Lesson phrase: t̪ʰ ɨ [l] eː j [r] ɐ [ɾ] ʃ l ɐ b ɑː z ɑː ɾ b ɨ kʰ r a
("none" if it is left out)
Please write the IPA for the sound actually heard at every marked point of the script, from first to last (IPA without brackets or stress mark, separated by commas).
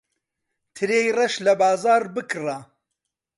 ɾ, r, none